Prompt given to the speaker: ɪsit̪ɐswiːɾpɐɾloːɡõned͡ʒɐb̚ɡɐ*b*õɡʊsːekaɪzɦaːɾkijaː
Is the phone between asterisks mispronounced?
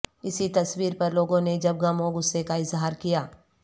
yes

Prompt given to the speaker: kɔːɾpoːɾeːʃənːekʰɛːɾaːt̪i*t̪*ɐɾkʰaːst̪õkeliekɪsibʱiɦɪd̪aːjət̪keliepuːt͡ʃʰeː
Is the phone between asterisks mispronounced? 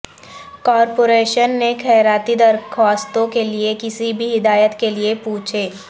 yes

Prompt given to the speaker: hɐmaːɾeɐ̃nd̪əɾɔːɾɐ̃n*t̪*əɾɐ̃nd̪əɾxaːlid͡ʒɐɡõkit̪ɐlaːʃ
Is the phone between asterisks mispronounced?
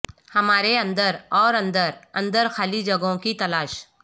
yes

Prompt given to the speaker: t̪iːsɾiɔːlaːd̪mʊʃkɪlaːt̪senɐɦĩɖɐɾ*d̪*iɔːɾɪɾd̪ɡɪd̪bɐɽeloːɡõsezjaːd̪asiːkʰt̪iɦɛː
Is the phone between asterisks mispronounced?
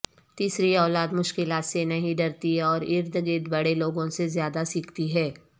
yes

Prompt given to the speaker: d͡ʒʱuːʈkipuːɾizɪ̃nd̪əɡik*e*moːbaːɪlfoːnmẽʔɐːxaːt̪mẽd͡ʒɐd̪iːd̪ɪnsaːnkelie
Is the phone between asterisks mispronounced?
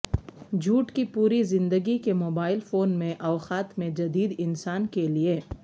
no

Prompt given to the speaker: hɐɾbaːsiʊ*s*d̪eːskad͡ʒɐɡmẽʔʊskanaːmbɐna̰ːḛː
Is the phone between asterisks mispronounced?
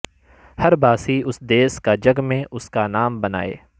no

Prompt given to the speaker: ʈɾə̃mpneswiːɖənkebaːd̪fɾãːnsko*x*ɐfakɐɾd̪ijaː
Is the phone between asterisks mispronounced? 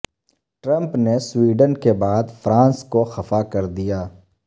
no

